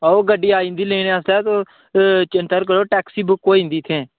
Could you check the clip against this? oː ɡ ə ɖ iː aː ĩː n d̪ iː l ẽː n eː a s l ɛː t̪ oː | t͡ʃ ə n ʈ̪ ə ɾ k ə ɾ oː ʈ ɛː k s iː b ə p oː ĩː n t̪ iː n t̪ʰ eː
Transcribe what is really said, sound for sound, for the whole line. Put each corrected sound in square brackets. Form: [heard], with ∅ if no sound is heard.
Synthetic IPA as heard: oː ɡ ə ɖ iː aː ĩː n d̪ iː l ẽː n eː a s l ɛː t̪ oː | t͡ʃ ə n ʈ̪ ə ɾ k ə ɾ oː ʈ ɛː k s iː b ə [k] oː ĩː n [d̪] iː [∅] t̪ʰ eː